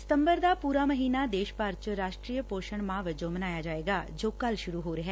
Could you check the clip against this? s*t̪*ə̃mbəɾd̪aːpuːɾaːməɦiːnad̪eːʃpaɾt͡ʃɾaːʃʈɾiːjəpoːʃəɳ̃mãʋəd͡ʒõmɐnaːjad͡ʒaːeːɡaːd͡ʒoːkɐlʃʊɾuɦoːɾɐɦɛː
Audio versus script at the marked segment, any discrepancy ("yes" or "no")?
no